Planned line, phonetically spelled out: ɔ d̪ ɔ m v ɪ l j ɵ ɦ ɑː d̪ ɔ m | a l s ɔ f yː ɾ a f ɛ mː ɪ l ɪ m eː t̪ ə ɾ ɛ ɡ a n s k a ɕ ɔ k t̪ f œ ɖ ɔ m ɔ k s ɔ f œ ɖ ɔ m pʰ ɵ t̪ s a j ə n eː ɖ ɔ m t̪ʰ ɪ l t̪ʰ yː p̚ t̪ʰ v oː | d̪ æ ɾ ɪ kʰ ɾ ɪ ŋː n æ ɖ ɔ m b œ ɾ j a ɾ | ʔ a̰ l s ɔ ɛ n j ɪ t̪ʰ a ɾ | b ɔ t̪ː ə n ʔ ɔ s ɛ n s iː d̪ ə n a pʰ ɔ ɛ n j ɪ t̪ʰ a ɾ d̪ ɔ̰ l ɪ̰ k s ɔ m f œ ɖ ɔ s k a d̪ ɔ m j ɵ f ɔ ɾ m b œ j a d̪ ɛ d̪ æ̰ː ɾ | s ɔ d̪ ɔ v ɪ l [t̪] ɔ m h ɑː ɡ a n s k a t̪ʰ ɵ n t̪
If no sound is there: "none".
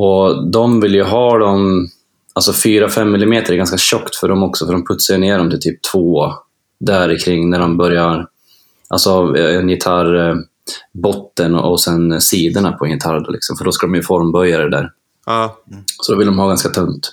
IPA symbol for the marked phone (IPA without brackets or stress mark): d̪